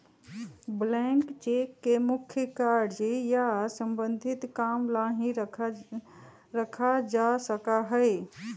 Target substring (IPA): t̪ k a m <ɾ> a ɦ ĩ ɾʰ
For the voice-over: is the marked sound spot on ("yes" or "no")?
no